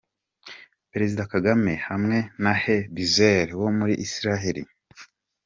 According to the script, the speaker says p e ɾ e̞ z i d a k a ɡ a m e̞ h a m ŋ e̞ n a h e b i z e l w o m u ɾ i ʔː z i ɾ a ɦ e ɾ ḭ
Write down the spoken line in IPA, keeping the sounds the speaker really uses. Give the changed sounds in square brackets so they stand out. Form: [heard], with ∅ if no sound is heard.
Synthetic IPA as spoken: p e ɾ e̞ z i d a k a ɡ a m e̞ h a m ŋ e̞ n a h e b i z e [ɾ] w o m u ɾ i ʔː [s] i ɾ a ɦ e ɾ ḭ